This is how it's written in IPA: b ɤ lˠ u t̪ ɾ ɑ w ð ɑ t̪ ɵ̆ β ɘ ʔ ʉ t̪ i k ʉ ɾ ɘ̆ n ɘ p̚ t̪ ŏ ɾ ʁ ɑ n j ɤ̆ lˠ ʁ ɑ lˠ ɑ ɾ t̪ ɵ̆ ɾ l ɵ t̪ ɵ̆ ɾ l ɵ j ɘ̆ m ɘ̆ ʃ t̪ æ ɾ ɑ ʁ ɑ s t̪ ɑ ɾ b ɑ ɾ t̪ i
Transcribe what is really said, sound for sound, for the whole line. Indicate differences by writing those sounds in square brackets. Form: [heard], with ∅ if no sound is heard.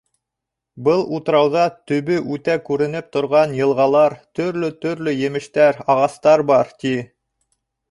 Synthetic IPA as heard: b ɤ lˠ u t̪ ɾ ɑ w ð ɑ t̪ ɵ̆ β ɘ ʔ ʉ t̪ [æ] k ʉ ɾ ɘ̆ n ɘ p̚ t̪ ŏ ɾ ʁ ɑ n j ɤ̆ lˠ ʁ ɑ lˠ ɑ ɾ t̪ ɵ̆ ɾ l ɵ t̪ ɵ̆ ɾ l ɵ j ɘ̆ m ɘ̆ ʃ t̪ æ ɾ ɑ ʁ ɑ s t̪ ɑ ɾ b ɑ ɾ t̪ i

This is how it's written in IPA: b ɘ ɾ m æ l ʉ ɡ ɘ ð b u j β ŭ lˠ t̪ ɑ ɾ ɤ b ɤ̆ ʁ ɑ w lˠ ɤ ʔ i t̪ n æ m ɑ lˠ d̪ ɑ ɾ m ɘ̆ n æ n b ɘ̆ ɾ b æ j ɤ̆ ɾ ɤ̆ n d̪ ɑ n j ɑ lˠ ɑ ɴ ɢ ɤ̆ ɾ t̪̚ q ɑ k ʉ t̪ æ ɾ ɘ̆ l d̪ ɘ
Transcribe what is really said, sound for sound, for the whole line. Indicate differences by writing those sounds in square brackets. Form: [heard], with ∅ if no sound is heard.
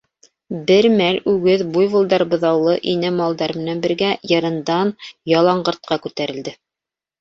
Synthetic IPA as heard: b ɘ ɾ m æ l ʉ ɡ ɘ ð b u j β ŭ lˠ [d̪] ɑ ɾ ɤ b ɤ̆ [ð] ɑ w lˠ ɤ ʔ i [∅] n æ m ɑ lˠ d̪ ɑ ɾ m ɘ̆ n æ n b ɘ̆ ɾ [ɡ] æ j ɤ̆ ɾ ɤ̆ n d̪ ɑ n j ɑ lˠ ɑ ɴ ɢ ɤ̆ ɾ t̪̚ q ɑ k ʉ t̪ æ ɾ ɘ̆ l d̪ ɘ

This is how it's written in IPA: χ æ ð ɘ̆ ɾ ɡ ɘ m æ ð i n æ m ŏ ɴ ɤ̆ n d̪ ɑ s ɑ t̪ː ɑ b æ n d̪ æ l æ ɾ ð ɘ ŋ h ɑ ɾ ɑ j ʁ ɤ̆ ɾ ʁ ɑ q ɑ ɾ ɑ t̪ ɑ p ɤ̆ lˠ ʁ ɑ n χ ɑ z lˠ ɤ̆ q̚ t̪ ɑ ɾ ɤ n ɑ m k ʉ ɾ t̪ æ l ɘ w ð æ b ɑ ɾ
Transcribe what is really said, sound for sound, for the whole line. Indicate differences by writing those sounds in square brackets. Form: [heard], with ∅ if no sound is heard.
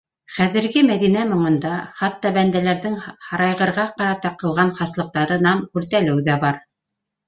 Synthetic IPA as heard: χ æ ð ɘ̆ ɾ ɡ ɘ m æ ð i n æ m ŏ ɴ ɤ̆ n d̪ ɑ [χ] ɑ t̪ː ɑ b æ n d̪ æ l æ ɾ ð ɘ ŋ h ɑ ɾ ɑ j ʁ ɤ̆ ɾ ʁ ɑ q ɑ ɾ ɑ t̪ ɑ [q] ɤ̆ lˠ ʁ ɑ n χ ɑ [s] lˠ ɤ̆ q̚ t̪ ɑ ɾ ɤ n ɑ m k ʉ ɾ t̪ æ l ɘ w ð æ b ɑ ɾ

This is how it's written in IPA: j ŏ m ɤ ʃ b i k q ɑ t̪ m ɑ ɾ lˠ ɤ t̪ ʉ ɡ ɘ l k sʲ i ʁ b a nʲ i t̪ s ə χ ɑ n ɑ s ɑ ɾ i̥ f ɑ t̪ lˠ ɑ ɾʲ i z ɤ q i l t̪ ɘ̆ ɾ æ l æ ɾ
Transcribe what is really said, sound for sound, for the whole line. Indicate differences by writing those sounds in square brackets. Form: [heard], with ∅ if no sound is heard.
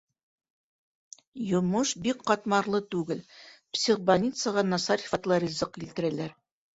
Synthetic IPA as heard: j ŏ m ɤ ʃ b i k q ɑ t̪ m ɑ ɾ lˠ ɤ t̪ ʉ ɡ ɘ l [p] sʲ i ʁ b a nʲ i t̪ s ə [ʁ] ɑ n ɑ s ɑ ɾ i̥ f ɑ t̪ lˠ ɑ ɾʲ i z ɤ q i l t̪ ɘ̆ ɾ æ l æ ɾ

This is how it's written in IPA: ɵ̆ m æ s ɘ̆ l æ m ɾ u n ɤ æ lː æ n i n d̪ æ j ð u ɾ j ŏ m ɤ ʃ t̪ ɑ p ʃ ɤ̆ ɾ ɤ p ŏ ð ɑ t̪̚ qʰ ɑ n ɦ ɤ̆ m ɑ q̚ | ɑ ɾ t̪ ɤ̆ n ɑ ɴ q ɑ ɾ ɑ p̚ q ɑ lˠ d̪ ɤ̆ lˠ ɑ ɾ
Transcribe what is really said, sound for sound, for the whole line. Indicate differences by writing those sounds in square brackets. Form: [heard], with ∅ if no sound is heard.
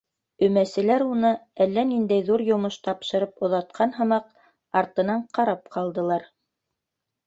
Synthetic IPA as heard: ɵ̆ m æ s ɘ̆ l æ [∅] ɾ u n ɤ æ lː æ n i n d̪ æ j ð u ɾ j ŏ m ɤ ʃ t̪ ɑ p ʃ ɤ̆ ɾ ɤ p ŏ ð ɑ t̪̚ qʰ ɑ n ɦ ɤ̆ m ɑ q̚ | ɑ ɾ t̪ ɤ̆ n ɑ ɴ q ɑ ɾ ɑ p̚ q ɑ lˠ d̪ ɤ̆ lˠ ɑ ɾ

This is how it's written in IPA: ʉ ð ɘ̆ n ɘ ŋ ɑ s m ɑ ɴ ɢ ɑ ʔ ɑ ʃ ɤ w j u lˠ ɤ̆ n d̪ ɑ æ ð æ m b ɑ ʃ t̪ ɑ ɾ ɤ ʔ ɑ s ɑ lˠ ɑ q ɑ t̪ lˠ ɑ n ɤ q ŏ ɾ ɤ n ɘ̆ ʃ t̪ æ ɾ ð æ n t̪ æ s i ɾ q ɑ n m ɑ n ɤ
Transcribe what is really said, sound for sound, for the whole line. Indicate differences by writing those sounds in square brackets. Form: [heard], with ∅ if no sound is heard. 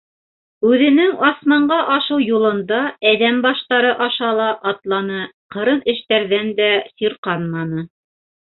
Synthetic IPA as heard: ʉ ð ɘ̆ n ɘ ŋ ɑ s m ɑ ɴ ɢ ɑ ʔ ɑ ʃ ɤ w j u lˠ ɤ̆ n d̪ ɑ æ ð æ m b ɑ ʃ t̪ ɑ ɾ ɤ ʔ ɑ [ʃ] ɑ lˠ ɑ [ʔ] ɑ t̪ lˠ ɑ n ɤ q [ɤ̆] ɾ ɤ n ɘ̆ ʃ t̪ æ ɾ ð æ n [d̪] æ s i ɾ q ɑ n m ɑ n ɤ

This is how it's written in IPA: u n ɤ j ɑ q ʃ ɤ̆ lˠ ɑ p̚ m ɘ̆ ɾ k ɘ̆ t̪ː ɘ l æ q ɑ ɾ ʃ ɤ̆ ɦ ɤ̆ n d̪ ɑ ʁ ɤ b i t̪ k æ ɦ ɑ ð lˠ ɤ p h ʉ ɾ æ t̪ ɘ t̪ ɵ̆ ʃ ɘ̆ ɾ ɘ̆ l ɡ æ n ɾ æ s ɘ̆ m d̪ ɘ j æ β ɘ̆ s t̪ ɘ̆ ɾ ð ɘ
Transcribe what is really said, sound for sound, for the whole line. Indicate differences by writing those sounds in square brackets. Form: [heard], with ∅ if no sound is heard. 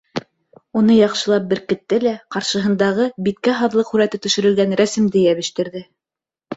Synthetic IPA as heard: u n ɤ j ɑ q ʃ ɤ̆ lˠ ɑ p̚ [b] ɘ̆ ɾ k ɘ̆ t̪ː ɘ l æ q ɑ ɾ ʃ ɤ̆ ɦ ɤ̆ n d̪ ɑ ʁ ɤ b i t̪ k æ ɦ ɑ ð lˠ ɤ [q] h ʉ ɾ æ t̪ ɘ t̪ ɵ̆ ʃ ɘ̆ ɾ ɘ̆ l ɡ æ n ɾ æ s ɘ̆ m d̪ ɘ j æ β ɘ̆ [ʃ] t̪ ɘ̆ ɾ ð ɘ

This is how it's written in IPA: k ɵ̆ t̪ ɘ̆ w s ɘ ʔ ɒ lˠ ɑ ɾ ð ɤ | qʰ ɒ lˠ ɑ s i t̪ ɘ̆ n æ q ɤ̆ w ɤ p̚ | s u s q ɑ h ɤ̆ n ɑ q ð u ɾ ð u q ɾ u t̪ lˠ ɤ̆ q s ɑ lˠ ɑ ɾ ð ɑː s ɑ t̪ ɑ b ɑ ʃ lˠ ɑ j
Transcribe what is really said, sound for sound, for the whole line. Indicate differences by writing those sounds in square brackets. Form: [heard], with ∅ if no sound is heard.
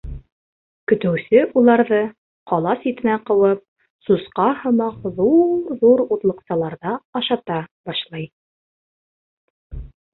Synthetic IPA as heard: k ɵ̆ t̪ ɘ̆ w s ɘ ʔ [u] lˠ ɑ ɾ ð ɤ | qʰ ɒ lˠ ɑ s i t̪ ɘ̆ n æ q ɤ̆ w ɤ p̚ | s u s q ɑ h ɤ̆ [m] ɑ q ð u ɾ ð u [∅] ɾ u t̪ lˠ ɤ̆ q s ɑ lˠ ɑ ɾ ð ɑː [ʃ] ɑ t̪ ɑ b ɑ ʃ lˠ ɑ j

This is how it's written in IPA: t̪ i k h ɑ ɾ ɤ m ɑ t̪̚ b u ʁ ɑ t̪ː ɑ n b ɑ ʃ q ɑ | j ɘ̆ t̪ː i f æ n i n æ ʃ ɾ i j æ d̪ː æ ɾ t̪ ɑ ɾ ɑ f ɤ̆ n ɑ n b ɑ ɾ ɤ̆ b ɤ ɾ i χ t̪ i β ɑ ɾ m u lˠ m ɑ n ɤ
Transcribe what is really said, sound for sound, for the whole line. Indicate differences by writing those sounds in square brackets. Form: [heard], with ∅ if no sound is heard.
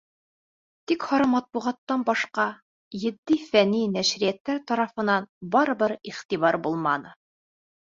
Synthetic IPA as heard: t̪ i k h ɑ ɾ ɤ m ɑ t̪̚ b u ʁ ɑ t̪ː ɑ n b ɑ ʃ q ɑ | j ɘ̆ [d̪ː] i f æ n i n æ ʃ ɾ i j æ [t̪ː] æ ɾ t̪ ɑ ɾ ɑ f ɤ̆ n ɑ n b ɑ ɾ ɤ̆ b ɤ ɾ i χ t̪ i β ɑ ɾ [b] u lˠ m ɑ n ɤ

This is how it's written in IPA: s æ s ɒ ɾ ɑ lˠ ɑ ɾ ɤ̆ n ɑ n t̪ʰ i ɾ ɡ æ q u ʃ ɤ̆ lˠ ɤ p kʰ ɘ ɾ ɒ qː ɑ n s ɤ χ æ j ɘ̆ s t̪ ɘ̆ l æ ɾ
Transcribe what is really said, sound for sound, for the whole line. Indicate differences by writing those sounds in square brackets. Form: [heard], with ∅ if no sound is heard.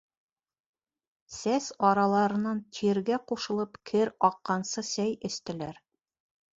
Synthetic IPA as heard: s æ s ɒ ɾ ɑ lˠ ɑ ɾ ɤ̆ n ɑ n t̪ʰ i ɾ ɡ æ q u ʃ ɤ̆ lˠ ɤ p kʰ ɘ ɾ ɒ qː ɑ n s ɤ [s] æ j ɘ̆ s t̪ ɘ̆ l æ ɾ

